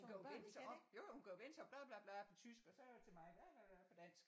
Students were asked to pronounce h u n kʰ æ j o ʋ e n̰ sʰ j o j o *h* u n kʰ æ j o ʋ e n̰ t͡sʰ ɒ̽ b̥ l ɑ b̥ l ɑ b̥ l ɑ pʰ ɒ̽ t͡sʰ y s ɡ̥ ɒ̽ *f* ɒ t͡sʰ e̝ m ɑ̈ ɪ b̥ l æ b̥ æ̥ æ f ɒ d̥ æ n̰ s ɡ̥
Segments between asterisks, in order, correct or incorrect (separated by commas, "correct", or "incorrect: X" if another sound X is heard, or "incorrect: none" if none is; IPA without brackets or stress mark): correct, incorrect: s